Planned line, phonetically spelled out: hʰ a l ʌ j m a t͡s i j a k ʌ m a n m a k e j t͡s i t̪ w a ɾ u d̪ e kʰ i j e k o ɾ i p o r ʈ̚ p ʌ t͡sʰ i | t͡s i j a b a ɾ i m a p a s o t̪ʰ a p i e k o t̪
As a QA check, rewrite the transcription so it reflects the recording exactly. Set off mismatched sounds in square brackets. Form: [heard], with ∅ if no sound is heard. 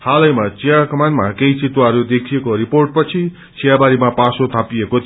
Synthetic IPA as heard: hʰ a l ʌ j m a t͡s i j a k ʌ m a n m a k e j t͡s i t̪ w a ɾ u d̪ e kʰ i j e k o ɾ i p o r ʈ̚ p ʌ t͡sʰ i | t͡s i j a b a ɾ i m a p a s o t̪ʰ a p i e k o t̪

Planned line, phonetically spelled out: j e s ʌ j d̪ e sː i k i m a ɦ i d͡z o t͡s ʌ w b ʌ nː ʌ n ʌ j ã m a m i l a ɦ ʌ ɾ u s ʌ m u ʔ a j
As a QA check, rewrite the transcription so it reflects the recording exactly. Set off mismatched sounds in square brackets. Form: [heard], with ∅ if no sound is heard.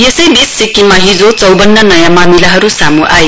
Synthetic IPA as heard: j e s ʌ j d̪ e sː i k i m a ɦ i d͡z o t͡s ʌ w b ʌ nː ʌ n ʌ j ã m a m i l a ɦ ʌ ɾ u s [a] m u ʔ a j

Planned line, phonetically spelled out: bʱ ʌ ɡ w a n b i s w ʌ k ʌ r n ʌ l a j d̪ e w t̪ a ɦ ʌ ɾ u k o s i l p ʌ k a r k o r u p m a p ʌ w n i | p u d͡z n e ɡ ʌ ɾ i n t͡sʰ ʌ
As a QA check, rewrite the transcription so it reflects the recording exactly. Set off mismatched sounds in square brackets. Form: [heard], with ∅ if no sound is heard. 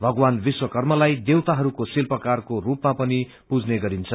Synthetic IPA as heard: bʱ ʌ ɡ w a n b i s w ʌ k ʌ r [m] ʌ l a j d̪ e w t̪ a ɦ ʌ ɾ u k o s i l p ʌ k a r k o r u p m a p ʌ [∅] n i | p u d͡z n e ɡ ʌ ɾ i n t͡sʰ ʌ

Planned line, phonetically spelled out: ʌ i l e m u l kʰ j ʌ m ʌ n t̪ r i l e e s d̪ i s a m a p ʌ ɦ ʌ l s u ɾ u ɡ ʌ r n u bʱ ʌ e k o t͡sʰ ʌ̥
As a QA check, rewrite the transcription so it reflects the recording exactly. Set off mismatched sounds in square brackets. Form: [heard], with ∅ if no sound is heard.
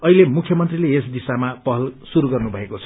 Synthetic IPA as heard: ʌ i l e m u [∅] kʰ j ʌ m ʌ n t̪ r i l e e s d̪ i s a m a p ʌ ɦ ʌ l s u ɾ u ɡ ʌ r n u bʱ ʌ e k o t͡sʰ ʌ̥

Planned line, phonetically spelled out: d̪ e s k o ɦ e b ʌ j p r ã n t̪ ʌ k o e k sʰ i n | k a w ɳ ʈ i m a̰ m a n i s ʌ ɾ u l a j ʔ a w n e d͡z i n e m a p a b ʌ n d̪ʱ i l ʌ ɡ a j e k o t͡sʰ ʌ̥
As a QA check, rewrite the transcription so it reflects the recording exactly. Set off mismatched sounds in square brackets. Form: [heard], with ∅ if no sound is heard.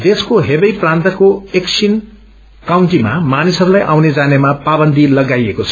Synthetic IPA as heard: d̪ e s k o ɦ e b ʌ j p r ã n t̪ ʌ k o e k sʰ i n | k a w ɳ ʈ i m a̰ m a n i s ʌ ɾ u l a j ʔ a w n e d͡z [a] n e m a p a b ʌ n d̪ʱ i l ʌ ɡ a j e k o t͡sʰ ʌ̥

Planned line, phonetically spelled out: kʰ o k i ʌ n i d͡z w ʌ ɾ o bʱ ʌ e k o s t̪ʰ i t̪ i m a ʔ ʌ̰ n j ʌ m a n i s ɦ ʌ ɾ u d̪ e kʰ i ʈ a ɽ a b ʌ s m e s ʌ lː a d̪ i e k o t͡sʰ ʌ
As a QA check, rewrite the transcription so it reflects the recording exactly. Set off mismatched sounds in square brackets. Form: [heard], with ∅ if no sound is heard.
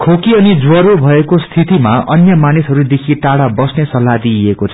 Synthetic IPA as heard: kʰ o k i ʌ n i d͡z w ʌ ɾ o bʱ ʌ e k o s t̪ʰ i t̪ i m a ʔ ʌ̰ n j ʌ m a n i s ɦ ʌ ɾ u d̪ e kʰ i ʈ a ɽ a b ʌ s [n] e s ʌ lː a d̪ i e k o t͡sʰ ʌ

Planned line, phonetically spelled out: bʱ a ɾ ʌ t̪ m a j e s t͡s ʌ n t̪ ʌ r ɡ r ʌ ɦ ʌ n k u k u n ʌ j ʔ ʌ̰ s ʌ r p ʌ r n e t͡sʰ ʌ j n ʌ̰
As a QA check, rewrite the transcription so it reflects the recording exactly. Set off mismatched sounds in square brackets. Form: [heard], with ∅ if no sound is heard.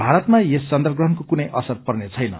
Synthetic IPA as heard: bʱ a ɾ ʌ t̪ m a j e s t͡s ʌ n [d̪] ʌ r ɡ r ʌ ɦ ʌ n k [o] k u n ʌ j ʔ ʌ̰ s ʌ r p ʌ r n e t͡sʰ ʌ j n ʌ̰

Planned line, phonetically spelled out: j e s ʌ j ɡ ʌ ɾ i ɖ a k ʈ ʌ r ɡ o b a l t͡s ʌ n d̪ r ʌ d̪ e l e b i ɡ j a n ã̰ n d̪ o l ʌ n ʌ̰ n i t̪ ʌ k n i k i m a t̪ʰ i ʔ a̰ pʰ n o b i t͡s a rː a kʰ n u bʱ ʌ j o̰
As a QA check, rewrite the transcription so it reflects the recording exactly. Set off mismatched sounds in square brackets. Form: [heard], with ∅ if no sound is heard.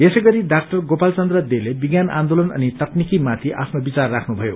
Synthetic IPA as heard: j e s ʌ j ɡ ʌ ɾ i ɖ a k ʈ ʌ r ɡ o [p] a l t͡s ʌ n d̪ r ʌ d̪ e l e b i ɡ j a n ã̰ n d̪ o l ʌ n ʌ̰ n i t̪ ʌ k n i k i m a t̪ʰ i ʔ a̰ pʰ n o b i t͡s a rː a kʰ n u bʱ ʌ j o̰

